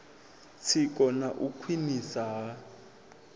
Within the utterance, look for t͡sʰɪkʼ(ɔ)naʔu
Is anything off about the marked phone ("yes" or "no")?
no